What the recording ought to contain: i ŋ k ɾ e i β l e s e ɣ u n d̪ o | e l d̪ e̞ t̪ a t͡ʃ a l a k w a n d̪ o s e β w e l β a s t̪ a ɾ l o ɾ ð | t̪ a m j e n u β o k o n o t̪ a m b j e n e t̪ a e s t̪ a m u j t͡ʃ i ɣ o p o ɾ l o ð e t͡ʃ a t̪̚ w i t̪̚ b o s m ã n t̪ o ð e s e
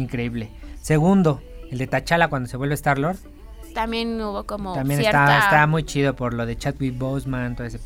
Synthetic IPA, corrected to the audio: i ŋ k ɾ e i β l e s e ɣ u n d̪ o | e l d̪ e̞ t̪ a t͡ʃ a l a k w a n d̪ o s e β w e l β e s t̪ a ɾ l o ɾ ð | t̪ a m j e n u β o k o m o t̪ a m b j e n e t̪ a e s t̪ a m u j t͡ʃ i ð o p o ɾ l o ð e t͡ʃ a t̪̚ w i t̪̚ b o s m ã n t̪ o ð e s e